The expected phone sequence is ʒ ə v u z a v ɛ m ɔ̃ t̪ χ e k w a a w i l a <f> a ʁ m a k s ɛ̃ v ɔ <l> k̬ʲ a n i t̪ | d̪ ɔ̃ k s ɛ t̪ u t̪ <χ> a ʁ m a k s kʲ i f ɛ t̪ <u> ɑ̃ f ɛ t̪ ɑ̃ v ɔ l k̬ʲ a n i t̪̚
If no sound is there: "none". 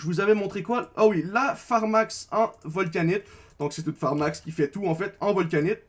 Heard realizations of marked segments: f, l, f, u

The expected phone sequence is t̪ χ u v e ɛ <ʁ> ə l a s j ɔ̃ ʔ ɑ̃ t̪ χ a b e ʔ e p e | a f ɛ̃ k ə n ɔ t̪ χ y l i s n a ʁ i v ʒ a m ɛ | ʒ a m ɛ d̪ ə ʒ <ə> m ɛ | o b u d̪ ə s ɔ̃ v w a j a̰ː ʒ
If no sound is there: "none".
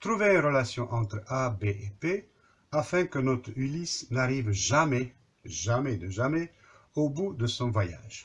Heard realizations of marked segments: ʁ, a

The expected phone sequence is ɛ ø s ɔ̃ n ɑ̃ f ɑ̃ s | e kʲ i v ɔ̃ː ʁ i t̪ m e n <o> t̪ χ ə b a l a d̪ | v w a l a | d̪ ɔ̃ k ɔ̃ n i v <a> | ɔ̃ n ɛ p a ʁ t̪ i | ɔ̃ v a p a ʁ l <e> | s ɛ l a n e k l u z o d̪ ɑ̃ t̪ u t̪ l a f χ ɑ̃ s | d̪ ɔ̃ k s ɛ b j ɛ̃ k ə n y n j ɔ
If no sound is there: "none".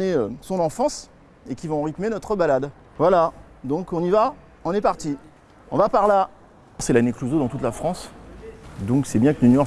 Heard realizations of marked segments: ɔ, a, a

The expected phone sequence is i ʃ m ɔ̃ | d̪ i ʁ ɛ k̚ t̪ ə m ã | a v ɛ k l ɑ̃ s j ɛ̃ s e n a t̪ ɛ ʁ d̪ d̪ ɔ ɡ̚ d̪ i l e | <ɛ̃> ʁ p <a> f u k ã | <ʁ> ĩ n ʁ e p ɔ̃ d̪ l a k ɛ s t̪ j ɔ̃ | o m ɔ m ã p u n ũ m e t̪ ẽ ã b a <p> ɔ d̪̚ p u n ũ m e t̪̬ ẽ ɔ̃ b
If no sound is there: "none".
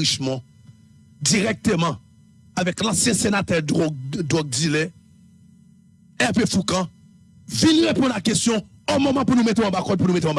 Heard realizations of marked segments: ɛ, e, v, k

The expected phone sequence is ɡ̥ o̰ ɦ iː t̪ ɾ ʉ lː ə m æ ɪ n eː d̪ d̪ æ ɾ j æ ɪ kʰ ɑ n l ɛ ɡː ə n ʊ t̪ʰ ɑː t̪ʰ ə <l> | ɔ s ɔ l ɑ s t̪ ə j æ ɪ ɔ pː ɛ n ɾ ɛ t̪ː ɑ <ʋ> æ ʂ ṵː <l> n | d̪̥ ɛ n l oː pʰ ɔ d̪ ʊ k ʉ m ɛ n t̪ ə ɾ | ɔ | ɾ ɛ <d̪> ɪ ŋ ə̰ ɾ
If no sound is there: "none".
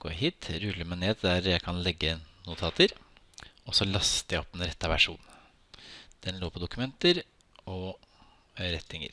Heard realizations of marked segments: ɾ, ʋ, none, t̪

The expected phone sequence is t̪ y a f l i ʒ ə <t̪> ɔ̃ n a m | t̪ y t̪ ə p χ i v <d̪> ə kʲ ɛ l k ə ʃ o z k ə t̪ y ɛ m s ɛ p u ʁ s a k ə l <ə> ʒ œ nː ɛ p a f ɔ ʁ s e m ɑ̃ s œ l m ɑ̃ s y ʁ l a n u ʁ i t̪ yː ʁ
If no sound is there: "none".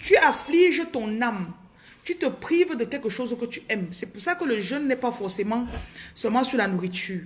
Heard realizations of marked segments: t̪, d̪, ə

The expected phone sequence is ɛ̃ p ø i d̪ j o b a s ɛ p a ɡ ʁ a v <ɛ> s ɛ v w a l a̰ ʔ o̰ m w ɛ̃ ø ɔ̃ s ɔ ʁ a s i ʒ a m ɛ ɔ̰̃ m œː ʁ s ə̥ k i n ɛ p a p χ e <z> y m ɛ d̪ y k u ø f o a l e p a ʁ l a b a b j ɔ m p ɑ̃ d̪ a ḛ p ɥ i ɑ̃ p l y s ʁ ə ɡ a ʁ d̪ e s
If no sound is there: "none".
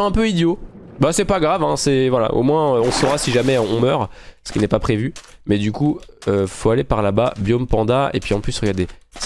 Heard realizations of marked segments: ɛ̃, v

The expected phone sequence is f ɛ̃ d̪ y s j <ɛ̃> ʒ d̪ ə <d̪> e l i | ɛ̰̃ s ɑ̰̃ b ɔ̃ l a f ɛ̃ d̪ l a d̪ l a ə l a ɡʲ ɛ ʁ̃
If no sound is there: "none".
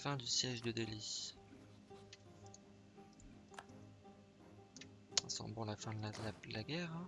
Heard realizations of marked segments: ɛ, d̪

